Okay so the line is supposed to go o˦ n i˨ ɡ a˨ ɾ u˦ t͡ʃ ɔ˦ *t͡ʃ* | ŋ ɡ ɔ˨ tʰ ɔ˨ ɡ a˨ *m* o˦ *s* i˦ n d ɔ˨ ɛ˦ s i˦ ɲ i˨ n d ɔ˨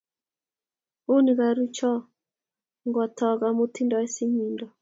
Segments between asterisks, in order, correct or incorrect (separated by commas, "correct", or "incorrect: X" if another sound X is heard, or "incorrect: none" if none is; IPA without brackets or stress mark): incorrect: none, correct, incorrect: t